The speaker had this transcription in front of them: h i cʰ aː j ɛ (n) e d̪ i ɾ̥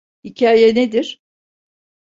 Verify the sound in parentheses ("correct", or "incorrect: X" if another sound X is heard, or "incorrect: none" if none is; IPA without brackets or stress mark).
correct